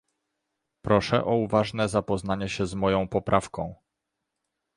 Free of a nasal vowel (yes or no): no